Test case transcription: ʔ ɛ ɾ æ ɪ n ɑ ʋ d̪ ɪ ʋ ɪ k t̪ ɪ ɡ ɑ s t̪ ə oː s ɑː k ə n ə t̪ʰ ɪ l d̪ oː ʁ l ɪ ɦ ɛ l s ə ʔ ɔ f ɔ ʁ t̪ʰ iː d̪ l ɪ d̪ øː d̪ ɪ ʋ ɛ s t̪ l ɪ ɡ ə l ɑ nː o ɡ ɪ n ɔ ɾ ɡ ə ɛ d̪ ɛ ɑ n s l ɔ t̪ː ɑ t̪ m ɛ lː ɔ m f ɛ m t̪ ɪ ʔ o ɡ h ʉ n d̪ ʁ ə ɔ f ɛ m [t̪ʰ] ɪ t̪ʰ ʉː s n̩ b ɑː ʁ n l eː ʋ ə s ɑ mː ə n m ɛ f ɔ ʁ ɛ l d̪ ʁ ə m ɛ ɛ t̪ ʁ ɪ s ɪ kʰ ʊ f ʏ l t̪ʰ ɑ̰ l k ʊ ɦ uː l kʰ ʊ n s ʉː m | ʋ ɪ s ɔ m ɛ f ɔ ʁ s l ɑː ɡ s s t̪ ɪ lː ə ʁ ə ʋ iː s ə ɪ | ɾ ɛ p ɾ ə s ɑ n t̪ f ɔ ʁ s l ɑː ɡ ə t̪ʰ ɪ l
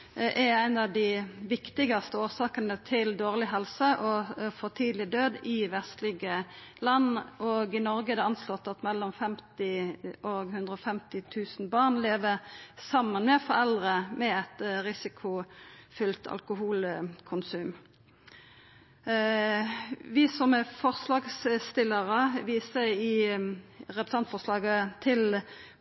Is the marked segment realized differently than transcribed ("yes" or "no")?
yes